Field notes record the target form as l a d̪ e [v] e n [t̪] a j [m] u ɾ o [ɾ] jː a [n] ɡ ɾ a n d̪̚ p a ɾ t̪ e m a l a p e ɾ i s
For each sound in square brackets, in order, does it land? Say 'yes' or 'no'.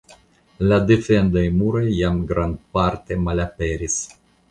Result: no, no, yes, no, no

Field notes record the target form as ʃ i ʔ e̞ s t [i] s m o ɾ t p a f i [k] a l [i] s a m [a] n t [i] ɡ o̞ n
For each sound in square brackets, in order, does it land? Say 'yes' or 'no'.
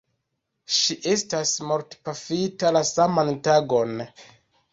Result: no, no, no, yes, no

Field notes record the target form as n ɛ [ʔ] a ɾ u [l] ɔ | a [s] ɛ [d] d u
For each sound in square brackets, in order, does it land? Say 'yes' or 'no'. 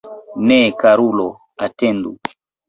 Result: no, yes, no, no

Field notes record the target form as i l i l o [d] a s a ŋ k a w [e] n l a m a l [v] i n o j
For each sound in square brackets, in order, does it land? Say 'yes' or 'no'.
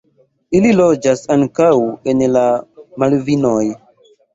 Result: no, yes, yes

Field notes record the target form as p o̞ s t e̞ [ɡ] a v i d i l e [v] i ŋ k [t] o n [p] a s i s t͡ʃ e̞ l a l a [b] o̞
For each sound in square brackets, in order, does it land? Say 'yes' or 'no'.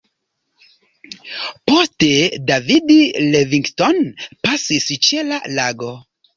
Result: no, yes, yes, yes, no

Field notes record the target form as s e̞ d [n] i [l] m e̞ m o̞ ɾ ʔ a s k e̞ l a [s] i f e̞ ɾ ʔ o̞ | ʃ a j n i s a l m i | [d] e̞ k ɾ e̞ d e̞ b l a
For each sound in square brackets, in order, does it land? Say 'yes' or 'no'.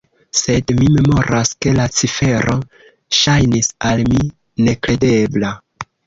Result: no, no, no, no

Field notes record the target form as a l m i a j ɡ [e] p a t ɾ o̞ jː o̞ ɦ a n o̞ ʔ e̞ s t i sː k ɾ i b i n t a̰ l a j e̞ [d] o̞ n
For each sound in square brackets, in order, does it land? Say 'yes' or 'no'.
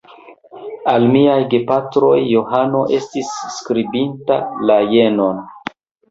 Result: yes, no

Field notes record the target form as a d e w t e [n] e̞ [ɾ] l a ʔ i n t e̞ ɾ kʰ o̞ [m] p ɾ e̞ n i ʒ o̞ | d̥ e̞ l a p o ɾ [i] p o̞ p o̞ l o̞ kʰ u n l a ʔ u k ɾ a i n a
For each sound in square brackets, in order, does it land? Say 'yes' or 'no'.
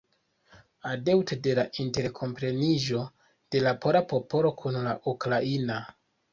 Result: no, no, yes, no

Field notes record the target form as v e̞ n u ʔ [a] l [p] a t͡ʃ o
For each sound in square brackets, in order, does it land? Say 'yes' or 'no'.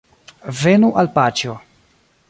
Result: yes, yes

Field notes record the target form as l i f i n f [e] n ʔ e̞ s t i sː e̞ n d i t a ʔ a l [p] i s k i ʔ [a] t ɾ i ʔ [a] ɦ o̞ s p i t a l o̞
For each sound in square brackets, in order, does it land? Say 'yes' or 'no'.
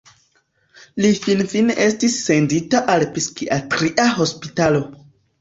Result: no, yes, yes, yes

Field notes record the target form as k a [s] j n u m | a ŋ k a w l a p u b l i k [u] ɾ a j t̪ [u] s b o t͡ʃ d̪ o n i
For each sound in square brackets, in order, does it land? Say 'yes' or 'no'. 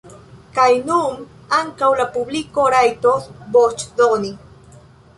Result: no, no, no

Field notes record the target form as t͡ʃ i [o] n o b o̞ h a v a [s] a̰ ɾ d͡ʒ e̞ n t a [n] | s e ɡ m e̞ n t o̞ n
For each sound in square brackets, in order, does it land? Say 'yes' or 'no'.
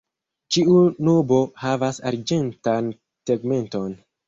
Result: no, yes, yes

